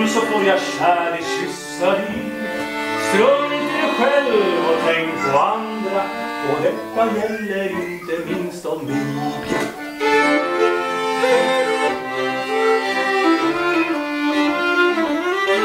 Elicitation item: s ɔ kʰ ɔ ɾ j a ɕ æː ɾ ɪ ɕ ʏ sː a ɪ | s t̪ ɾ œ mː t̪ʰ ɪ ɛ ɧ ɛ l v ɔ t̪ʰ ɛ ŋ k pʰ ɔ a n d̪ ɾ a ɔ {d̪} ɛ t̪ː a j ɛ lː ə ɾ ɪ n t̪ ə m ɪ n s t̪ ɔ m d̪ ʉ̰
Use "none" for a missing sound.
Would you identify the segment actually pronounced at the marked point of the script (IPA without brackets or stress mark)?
d̪